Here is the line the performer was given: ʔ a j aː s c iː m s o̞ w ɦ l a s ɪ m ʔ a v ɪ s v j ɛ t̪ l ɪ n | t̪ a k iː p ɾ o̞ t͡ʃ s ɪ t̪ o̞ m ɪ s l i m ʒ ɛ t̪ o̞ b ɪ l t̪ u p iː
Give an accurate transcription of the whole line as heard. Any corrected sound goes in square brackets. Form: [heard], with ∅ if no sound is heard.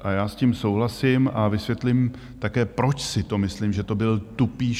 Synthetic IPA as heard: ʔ a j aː s c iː m s o̞ w ɦ l a s ɪ m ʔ a v ɪ s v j ɛ t̪ l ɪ [m] | t̪ a k [ɛː] p ɾ o̞ t͡ʃ s ɪ t̪ o̞ m ɪ s l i m ʒ ɛ t̪ o̞ b ɪ l t̪ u p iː